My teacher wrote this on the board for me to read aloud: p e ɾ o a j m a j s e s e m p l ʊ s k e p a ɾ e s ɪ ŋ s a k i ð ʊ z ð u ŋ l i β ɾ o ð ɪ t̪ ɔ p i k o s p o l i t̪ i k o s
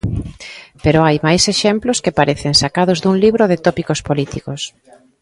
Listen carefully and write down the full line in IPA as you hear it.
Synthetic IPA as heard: p e ɾ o a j m a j s e ʃ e m p l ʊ s k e p a ɾ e θ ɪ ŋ s a k a ð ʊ z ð u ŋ l i β ɾ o ð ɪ t̪ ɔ p i k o s p o l i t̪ i k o s